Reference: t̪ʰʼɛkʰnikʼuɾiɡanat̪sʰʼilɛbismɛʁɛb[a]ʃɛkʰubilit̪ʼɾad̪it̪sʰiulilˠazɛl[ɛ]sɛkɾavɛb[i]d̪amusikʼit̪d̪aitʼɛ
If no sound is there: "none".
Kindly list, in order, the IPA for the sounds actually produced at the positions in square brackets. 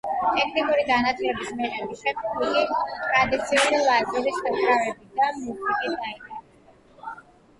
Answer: i, i, i

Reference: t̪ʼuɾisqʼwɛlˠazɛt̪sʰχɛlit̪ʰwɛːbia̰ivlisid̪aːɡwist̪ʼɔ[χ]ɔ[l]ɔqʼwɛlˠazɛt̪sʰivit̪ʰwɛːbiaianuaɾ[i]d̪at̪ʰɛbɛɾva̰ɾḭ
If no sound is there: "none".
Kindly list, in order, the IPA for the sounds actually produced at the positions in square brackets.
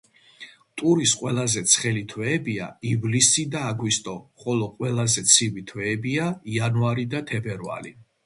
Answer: χ, l, i

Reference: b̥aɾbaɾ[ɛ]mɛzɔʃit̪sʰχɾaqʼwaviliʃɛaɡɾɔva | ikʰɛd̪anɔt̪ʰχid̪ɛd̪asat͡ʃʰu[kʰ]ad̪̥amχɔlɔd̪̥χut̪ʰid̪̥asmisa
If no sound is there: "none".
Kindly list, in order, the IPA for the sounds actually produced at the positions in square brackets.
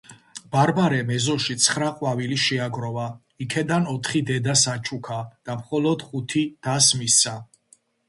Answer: ɛ, kʰ

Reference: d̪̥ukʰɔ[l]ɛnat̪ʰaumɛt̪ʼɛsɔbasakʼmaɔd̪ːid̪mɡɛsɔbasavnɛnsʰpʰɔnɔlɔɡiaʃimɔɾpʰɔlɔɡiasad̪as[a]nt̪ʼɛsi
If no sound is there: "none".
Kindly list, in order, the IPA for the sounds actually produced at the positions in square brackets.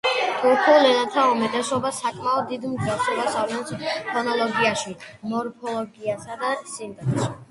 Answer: l, i

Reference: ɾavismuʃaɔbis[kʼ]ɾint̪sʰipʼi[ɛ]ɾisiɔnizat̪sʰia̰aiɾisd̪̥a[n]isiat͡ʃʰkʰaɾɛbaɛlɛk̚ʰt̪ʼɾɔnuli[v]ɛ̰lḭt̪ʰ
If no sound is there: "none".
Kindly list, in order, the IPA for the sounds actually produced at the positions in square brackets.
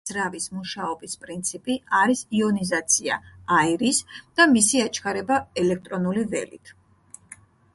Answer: pʼ, a, m, v

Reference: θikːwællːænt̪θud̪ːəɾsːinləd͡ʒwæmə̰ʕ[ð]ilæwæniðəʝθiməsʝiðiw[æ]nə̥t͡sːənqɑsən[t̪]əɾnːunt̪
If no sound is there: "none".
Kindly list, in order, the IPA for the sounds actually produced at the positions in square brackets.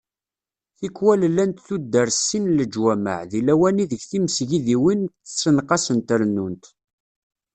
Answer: ð, i, t̪

